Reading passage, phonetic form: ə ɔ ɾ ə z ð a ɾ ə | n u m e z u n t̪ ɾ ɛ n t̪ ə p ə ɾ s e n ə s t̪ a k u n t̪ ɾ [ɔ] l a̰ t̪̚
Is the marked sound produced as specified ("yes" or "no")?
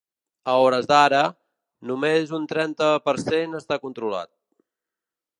no